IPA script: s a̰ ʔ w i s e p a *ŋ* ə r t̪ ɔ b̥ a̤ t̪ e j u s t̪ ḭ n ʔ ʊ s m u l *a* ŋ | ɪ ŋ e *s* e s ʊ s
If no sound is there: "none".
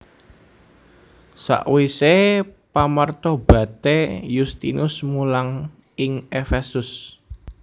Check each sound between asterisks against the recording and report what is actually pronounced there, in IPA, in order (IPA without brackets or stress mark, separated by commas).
m, a, f